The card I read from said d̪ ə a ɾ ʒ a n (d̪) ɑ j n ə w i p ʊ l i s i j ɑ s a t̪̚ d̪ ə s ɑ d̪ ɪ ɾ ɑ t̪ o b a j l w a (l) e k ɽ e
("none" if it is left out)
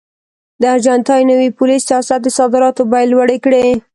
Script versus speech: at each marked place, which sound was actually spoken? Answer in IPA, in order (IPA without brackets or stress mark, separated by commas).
t̪, ɽ